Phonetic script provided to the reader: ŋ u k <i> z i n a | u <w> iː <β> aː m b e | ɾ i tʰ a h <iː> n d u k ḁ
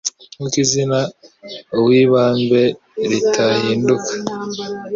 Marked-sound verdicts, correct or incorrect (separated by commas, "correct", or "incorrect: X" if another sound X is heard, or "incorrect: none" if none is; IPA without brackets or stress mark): correct, correct, correct, correct